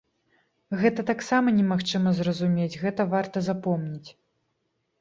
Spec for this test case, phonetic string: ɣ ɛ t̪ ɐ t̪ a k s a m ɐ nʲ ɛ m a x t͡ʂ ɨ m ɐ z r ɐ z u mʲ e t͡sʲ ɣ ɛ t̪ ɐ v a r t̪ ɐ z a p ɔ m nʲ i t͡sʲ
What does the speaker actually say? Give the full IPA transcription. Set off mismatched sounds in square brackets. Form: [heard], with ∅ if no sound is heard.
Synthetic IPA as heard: ɣ ɛ t̪ ɐ t̪ a k s a m ɐ nʲ ɛ m a x t͡ʂ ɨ m ɐ z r ɐ z u mʲ e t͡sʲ ɣ ɛ t̪ ɐ v a r t̪ ɐ z a p ɔ m nʲ i t͡sʲ